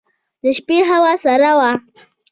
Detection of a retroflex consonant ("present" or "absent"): absent